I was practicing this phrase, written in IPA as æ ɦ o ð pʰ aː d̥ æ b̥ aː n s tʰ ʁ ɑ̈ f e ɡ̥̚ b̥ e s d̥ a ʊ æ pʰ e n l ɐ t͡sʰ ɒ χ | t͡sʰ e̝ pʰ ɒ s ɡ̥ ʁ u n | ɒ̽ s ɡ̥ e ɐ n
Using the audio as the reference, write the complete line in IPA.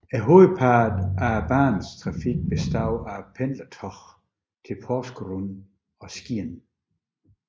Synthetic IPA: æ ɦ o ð pʰ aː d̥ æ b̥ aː n s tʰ ʁ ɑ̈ f i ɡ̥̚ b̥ e s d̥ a ʊ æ pʰ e n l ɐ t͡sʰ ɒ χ | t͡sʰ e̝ pʰ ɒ s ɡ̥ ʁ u n | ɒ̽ s ɡ̥ i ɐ n

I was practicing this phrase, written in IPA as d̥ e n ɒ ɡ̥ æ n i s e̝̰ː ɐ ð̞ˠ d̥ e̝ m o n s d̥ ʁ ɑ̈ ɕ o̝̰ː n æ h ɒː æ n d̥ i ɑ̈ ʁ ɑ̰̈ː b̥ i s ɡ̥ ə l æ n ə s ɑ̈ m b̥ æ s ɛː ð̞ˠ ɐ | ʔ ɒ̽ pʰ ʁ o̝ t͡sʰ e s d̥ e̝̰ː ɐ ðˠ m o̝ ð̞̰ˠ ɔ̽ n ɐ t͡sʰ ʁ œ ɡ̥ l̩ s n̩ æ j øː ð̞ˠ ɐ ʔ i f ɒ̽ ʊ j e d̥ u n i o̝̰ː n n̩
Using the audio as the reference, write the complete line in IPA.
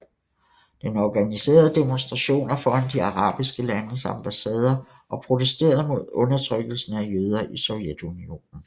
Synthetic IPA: d̥ e n ɒ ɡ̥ æ n i s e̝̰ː ɐ ð̞ˠ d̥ e̝ m o n s d̥ ʁ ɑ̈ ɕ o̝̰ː n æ f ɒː æ n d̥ i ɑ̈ ʁ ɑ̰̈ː b̥ i s ɡ̥ ə l æ n ə s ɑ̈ m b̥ æ s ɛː ð̞ˠ ɐ | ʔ ɒ̽ pʰ ʁ o̝ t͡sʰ e s d̥ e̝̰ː ɐ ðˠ m o̝ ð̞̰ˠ ɔ̽ n ɐ t͡sʰ ʁ œ ɡ̥ l̩ s n̩ æ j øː ð̞ˠ ɐ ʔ i s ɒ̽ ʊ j e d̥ u n i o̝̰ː n n̩

